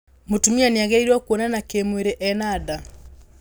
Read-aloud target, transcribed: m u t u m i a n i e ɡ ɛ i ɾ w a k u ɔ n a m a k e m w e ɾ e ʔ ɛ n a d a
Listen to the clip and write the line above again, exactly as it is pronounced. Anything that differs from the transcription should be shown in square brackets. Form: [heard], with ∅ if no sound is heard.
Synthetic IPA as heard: m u t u m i a n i [a] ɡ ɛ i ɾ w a k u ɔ n a [n] a k e m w e ɾ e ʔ ɛ n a d a